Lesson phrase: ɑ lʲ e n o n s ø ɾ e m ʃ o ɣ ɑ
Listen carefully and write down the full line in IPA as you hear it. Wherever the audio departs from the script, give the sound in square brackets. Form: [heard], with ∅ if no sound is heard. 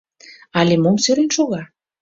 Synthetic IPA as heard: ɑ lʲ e [m] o [m] s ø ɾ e [n] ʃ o ɣ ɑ